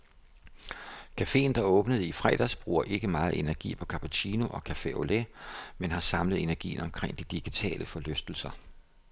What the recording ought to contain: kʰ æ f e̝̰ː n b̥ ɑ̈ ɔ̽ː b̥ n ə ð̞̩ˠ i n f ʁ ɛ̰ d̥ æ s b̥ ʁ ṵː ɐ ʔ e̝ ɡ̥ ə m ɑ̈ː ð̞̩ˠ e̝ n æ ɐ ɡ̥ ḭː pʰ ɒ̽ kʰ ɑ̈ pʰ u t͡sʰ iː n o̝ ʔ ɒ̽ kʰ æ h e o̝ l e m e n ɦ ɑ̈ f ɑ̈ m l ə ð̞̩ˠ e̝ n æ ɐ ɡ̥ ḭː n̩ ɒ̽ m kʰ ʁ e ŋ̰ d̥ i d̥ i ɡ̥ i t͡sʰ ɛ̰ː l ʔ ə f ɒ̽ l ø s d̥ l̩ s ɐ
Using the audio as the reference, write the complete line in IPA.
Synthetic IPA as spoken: kʰ æ f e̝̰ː n d̥ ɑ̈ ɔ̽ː b̥ n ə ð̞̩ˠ i f ʁ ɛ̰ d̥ æ s b̥ ʁ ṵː ɐ ʔ e̝ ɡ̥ ə m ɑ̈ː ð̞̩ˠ e̝ n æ ɐ ɡ̥ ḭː pʰ ɒ̽ kʰ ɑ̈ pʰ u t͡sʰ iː n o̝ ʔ ɒ̽ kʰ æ f e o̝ l e m e n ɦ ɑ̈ s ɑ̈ m l ə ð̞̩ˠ e̝ n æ ɐ ɡ̥ ḭː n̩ ɒ̽ m kʰ ʁ e ŋ̰ d̥ i d̥ i ɡ̥ i t͡sʰ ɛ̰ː l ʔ ə f ɒ̽ l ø s d̥ l̩ s ɐ